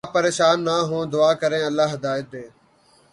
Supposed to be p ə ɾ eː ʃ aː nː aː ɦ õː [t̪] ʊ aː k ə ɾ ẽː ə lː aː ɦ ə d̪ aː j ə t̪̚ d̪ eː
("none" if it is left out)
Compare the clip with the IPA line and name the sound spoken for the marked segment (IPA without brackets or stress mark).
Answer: d̪